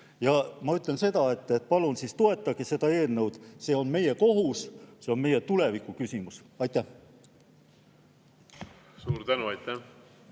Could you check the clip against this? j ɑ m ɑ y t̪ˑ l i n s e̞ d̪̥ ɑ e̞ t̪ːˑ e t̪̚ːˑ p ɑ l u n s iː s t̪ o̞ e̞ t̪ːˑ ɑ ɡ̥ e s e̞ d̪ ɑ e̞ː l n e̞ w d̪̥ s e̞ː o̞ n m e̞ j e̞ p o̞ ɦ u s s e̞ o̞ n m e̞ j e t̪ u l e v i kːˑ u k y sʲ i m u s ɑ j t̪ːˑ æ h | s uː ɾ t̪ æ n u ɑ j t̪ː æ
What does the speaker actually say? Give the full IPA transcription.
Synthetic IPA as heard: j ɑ m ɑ y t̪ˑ l e n s e̞ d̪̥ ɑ e̞ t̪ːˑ e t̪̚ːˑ p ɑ l u n s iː s t̪ o̞ e̞ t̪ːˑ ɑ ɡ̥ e s e̞ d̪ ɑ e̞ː l n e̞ w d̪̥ s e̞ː o̞ n m e̞ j e̞ k o̞ ɦ u s s e̞ o̞ n m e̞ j e t̪ u l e v i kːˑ u k y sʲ i m u s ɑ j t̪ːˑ æ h | s uː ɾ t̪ æ n u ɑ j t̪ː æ